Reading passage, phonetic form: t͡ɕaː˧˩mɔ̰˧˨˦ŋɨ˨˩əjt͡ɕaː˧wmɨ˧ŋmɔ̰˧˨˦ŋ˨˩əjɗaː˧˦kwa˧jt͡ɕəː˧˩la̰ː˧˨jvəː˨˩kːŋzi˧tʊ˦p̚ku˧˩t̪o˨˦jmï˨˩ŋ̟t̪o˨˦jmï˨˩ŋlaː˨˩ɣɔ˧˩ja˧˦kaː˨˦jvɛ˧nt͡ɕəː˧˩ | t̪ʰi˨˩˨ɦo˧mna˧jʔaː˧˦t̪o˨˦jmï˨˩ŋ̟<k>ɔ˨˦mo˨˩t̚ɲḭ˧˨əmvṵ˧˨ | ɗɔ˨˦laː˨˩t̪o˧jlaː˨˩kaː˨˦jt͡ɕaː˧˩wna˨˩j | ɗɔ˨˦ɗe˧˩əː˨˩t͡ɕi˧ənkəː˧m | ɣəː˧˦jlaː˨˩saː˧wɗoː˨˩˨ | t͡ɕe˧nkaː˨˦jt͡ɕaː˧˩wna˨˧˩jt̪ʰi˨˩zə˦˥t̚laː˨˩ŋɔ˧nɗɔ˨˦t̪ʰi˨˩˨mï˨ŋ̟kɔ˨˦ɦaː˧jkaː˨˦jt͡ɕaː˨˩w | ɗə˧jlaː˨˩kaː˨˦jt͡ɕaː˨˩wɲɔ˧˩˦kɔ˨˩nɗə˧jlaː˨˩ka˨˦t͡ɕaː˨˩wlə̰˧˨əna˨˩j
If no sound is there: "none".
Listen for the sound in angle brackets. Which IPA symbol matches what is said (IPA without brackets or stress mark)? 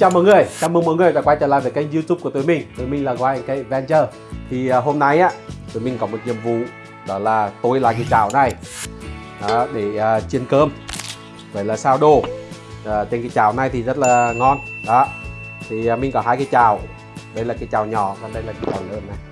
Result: k